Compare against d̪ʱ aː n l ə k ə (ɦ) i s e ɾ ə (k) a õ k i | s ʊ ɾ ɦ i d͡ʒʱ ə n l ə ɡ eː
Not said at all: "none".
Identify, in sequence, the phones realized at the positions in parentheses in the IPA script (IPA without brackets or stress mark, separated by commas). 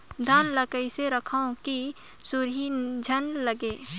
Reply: none, kʰ